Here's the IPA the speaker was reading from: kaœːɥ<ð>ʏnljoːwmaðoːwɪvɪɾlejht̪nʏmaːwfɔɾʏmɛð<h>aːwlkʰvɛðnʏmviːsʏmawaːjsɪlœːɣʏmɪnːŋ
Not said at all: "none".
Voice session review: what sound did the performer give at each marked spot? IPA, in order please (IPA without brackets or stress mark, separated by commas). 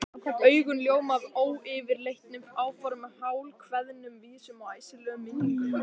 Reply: ɣ, h